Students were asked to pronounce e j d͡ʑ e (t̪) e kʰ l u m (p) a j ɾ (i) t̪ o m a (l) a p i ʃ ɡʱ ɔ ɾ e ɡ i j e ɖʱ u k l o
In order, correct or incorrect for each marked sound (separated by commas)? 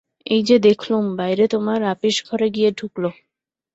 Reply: incorrect, incorrect, incorrect, incorrect